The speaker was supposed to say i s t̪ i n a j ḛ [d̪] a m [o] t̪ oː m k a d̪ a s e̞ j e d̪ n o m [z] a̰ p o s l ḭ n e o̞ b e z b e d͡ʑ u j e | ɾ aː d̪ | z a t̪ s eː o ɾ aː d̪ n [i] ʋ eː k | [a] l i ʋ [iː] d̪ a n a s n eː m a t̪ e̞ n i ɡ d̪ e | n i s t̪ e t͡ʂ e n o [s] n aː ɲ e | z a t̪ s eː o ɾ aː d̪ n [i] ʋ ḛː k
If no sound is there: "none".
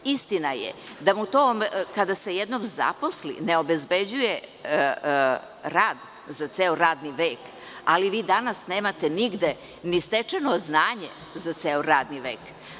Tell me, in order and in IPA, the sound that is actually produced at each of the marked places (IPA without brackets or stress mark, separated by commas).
d̪, u, z, i, a, iː, z, i